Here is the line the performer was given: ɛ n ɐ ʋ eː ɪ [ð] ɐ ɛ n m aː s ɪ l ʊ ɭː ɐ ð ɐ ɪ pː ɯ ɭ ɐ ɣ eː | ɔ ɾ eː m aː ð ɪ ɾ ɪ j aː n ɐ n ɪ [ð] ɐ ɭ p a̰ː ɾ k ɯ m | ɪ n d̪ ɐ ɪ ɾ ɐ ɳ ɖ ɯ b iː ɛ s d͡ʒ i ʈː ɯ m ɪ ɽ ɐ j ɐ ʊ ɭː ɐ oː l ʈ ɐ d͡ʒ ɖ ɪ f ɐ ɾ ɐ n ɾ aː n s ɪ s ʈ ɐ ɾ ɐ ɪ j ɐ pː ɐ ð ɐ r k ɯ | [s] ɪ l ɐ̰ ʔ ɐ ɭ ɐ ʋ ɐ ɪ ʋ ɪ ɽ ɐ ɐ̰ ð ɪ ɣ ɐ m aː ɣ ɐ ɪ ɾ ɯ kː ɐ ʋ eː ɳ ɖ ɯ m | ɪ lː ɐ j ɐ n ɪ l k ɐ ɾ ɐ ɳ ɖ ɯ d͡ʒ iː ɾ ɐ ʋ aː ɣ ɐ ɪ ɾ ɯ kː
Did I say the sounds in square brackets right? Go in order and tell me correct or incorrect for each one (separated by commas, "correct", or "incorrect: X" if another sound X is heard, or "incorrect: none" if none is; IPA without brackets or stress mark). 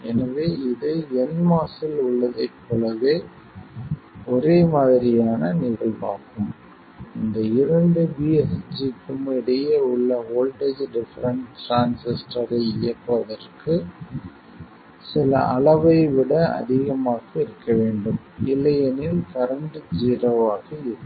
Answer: correct, incorrect: ɣ, correct